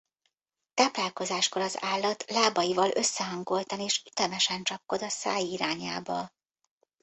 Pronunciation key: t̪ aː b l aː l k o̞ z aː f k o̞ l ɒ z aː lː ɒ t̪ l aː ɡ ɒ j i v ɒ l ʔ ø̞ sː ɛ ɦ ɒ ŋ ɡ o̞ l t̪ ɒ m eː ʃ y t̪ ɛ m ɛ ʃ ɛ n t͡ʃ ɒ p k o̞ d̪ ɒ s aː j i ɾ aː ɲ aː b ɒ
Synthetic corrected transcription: t̪ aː p l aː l k o̞ z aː ʃ k o̞ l ɒ z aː lː ɒ t̪ l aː b ɒ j i v ɒ l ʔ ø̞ sː ɛ ɦ ɒ ŋ ɡ o̞ l t̪ ɒ n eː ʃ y t̪ ɛ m ɛ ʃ ɛ n t͡ʃ ɒ p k o̞ d̪ ɒ s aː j i ɾ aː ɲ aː b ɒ